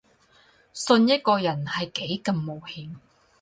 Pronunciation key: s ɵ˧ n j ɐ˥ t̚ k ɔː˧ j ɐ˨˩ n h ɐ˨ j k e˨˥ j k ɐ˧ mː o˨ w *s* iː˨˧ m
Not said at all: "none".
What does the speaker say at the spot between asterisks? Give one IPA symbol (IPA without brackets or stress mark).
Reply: h